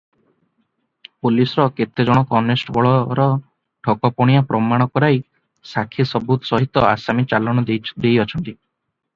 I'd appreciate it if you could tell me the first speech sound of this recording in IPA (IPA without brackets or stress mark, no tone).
p